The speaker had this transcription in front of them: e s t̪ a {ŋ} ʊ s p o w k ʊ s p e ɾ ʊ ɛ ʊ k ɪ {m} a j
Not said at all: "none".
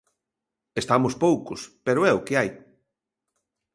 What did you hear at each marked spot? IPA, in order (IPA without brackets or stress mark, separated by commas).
m, none